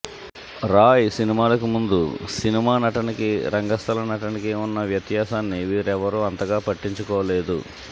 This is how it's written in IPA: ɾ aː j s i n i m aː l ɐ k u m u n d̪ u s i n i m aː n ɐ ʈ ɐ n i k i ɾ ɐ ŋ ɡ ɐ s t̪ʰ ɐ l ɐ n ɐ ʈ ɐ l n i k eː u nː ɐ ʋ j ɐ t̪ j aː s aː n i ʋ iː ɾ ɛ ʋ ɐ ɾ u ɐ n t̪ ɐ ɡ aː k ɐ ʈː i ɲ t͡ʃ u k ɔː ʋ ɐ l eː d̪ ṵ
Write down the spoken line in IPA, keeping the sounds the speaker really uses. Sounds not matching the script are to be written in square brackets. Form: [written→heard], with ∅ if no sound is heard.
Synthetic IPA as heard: ɾ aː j s i n i m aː l ɐ k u m u n d̪ u s i n i m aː n ɐ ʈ ɐ n i k i ɾ ɐ ŋ ɡ ɐ s t̪ʰ ɐ l ɐ n ɐ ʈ ɐ [l→∅] n i k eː u nː ɐ ʋ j ɐ t̪ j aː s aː [n→nː] i ʋ iː ɾ ɛ ʋ ɐ ɾ u ɐ n t̪ ɐ ɡ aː [k→p] ɐ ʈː i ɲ t͡ʃ u k ɔː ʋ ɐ l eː d̪ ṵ